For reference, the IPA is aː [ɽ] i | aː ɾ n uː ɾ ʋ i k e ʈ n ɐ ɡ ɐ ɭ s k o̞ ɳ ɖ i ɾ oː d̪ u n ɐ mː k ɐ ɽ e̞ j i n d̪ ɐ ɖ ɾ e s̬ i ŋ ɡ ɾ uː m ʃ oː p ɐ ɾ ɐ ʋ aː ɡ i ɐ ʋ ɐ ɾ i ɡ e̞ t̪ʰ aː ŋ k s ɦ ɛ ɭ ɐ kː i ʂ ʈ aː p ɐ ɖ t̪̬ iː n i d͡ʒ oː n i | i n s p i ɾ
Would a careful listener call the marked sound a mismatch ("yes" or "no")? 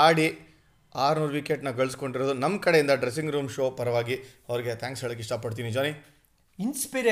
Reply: no